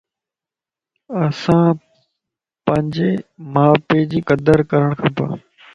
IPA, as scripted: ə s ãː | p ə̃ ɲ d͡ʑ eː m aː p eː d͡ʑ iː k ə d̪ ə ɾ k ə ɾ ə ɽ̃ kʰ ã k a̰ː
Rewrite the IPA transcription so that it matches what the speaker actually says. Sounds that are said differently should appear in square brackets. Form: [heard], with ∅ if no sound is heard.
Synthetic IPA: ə s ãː | p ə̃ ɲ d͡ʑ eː m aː p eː d͡ʑ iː k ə d̪ ə ɾ k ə ɾ ə ɽ̃ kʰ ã [p] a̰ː